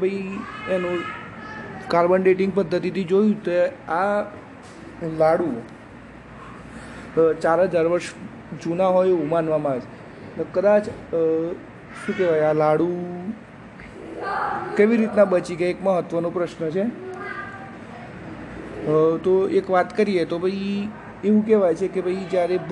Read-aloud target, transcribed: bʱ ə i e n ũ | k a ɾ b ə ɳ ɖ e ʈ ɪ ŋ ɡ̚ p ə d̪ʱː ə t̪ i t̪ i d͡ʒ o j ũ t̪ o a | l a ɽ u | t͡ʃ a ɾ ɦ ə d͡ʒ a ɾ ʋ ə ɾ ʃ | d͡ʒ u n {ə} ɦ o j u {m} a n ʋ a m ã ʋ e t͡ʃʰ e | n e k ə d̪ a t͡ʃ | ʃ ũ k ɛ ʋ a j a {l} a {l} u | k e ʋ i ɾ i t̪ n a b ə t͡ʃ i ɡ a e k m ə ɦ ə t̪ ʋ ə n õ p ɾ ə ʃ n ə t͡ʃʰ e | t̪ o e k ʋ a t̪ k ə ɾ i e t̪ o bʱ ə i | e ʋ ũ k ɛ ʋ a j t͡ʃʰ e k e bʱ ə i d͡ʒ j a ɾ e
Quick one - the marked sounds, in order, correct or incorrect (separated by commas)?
incorrect, correct, correct, incorrect